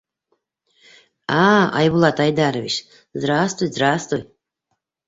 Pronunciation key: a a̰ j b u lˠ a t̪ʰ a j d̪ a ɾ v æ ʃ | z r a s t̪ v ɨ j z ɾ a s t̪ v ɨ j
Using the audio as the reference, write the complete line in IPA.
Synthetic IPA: a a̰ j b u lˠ a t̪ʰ a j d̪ a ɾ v i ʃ | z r a s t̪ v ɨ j z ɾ a s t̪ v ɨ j